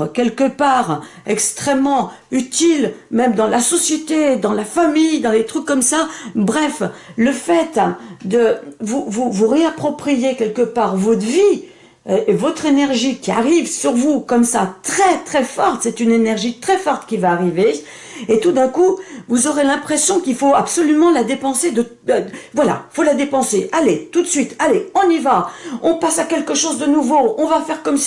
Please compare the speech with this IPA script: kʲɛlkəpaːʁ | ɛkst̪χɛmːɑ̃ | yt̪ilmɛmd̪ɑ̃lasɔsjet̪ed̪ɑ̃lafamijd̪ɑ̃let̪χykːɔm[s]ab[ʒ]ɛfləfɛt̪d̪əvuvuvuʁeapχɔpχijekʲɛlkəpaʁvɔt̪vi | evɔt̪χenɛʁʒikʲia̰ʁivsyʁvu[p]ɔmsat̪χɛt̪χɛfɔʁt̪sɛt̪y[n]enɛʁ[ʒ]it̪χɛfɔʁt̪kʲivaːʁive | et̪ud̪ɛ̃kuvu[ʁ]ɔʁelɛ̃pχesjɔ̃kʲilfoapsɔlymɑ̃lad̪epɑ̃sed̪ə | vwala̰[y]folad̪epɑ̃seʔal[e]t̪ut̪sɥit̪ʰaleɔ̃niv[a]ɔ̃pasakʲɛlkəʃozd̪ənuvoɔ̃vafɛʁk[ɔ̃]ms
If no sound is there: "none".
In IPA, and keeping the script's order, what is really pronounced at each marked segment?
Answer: s, ʁ, k, n, ʒ, z, i, e, a, ɔ

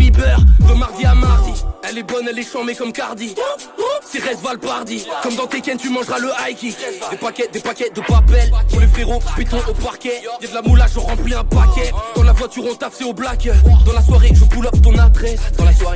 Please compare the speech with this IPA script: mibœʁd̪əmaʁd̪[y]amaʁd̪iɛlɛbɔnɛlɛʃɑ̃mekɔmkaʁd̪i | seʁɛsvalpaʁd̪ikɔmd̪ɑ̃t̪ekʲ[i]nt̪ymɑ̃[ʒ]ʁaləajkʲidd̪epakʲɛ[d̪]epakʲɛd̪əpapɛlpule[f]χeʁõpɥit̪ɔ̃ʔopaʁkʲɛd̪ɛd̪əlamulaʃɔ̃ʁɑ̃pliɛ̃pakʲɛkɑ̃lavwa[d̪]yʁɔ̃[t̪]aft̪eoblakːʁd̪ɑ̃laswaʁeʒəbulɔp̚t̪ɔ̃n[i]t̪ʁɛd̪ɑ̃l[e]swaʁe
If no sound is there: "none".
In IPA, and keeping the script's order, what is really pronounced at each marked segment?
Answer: i, ɛ, ʒ, d̪, f, t̪, t̪, a, a

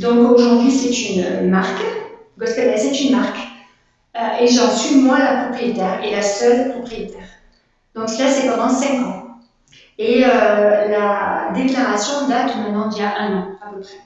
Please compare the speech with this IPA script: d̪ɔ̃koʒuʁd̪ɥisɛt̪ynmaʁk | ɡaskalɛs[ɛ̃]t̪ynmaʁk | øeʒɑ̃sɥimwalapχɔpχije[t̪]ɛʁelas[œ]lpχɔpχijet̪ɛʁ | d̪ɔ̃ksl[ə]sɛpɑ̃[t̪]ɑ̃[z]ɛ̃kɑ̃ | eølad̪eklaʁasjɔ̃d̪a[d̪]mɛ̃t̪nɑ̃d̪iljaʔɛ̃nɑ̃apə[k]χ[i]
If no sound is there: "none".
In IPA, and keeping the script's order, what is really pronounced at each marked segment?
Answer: ɛ, t̪, œ, a, d̪, s, t̪, p, ɛ

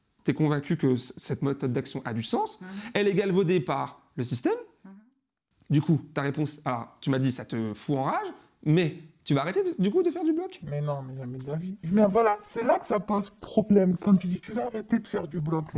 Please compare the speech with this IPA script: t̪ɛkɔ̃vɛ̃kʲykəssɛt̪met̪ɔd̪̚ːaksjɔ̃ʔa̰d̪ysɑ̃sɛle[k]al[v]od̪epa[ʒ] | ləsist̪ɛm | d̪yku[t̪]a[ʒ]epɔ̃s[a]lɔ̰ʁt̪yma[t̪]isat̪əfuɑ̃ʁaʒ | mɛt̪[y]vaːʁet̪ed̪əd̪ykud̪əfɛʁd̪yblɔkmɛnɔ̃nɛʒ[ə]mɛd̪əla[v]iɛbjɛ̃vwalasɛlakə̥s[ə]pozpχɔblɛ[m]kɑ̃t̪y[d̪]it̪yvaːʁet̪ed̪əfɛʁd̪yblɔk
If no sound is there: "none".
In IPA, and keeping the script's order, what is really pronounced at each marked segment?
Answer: ɡ, v, ʁ, t̪, ʁ, a, d̪, y, a, v, a, m, d̪

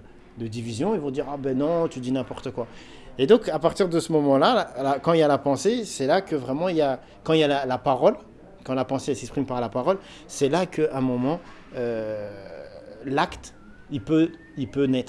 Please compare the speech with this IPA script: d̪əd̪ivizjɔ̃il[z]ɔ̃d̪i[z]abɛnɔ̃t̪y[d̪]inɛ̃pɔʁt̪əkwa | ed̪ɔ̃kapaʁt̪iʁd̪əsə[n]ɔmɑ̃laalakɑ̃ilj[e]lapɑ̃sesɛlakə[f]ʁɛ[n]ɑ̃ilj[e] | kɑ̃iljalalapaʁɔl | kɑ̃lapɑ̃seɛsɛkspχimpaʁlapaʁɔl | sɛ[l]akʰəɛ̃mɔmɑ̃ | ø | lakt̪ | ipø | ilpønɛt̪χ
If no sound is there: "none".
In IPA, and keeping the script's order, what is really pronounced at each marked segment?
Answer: v, ʁ, d̪, m, a, v, m, a, l

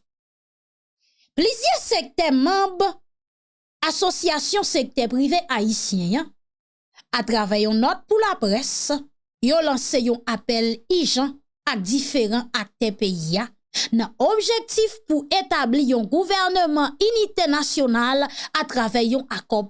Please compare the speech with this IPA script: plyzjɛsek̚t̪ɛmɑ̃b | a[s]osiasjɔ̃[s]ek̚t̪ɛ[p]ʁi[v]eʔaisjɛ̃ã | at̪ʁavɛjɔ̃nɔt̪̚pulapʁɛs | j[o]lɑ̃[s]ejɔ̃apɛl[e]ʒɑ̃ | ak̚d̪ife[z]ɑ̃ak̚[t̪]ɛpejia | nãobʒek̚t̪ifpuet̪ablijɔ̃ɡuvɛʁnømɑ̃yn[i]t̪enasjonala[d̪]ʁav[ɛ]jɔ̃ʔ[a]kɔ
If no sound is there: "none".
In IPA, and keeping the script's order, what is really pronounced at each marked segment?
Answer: s, s, p, v, o, s, i, ʁ, t̪, i, t̪, ɛ, a

